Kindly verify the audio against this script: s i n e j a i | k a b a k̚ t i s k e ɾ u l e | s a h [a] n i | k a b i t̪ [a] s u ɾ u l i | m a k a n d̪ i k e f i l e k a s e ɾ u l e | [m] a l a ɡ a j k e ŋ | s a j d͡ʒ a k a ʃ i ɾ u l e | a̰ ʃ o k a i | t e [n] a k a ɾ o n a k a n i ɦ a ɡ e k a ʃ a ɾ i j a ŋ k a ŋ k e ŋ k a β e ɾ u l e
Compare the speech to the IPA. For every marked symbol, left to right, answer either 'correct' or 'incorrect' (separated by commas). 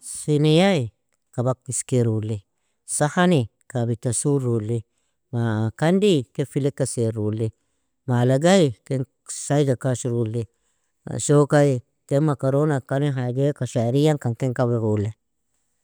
correct, correct, correct, incorrect